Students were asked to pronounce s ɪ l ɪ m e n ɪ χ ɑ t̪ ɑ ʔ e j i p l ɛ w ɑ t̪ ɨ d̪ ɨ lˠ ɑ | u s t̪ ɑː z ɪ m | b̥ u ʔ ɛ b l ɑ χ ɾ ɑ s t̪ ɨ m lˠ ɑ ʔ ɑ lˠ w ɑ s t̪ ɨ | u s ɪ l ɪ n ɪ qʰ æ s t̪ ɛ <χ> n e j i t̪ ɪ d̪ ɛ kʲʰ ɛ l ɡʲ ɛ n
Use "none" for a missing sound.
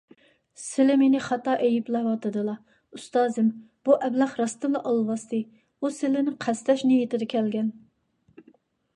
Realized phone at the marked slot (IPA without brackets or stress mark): ʃ